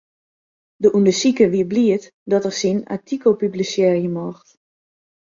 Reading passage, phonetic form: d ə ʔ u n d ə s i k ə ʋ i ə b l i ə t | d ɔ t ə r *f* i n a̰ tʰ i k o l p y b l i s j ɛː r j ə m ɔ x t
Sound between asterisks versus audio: incorrect: s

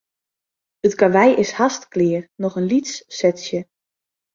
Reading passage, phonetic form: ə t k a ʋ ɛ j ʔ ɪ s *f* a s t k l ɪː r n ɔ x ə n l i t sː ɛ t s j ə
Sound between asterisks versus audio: incorrect: h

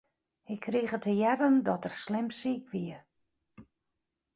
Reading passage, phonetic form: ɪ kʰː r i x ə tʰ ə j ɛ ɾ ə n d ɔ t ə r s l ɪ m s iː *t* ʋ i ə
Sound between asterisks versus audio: incorrect: k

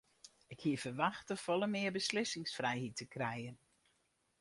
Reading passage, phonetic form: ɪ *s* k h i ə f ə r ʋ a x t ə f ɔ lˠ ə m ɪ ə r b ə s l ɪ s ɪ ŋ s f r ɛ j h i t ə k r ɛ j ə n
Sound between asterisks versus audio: incorrect: none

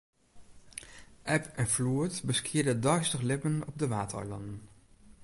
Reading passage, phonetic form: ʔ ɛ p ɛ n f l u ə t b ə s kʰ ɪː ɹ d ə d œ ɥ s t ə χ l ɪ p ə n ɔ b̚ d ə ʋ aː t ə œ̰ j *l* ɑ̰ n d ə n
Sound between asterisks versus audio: correct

